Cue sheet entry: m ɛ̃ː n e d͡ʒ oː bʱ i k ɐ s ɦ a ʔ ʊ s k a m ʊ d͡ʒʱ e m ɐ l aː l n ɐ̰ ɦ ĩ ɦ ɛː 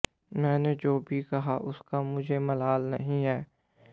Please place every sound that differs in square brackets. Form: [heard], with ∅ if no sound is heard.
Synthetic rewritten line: m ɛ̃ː n e d͡ʒ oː bʱ i k ɐ [∅] ɦ a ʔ ʊ s k a m ʊ d͡ʒʱ e m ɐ l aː l n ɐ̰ ɦ ĩ ɦ ɛː